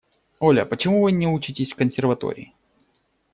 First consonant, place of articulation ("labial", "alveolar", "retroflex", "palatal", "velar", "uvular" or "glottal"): alveolar